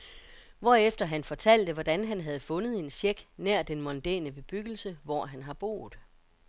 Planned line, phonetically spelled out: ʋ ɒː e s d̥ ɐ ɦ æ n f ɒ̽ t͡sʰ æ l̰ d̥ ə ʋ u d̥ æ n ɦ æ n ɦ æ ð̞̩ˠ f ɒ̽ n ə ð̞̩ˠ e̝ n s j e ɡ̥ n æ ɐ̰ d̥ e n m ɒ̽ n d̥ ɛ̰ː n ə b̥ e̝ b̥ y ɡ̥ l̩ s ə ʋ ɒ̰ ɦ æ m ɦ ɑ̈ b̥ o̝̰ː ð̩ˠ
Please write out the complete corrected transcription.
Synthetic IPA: ʋ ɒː e f d̥ ɐ ɦ æ n f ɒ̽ t͡sʰ æ l̰ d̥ ə ʋ ɒ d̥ æ n ɦ æ n ɦ æ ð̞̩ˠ f ɔ̽ n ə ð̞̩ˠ e̝ n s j e ɡ̥ n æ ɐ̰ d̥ e n m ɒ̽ n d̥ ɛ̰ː n ə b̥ e̝ b̥ y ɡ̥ l̩ s ə ʋ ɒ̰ ɦ æ n ɦ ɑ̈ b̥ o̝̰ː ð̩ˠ